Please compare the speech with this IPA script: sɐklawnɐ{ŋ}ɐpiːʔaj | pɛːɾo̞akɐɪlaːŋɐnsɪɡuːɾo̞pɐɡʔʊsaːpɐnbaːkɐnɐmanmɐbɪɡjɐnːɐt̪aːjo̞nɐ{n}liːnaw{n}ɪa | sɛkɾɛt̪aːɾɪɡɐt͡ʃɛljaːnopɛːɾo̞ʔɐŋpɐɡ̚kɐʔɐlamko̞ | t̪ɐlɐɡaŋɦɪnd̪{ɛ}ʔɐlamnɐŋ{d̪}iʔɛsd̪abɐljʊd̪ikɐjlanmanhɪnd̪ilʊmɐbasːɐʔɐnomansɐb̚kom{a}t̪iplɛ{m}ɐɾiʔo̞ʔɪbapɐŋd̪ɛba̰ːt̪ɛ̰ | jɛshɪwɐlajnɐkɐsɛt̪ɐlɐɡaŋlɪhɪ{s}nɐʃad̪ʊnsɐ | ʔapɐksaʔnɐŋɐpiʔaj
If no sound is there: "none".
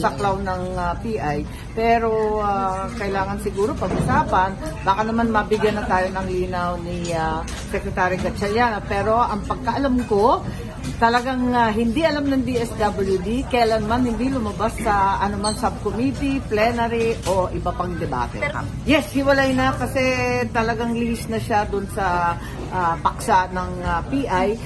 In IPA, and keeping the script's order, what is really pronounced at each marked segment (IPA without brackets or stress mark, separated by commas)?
ŋ, ŋ, n, i, d̪, i, n, s